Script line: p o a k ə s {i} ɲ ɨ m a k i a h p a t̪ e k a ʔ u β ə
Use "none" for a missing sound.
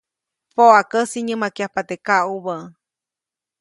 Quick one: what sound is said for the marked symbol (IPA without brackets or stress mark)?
i